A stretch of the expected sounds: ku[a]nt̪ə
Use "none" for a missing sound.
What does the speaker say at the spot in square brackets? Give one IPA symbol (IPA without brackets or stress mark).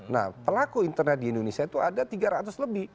i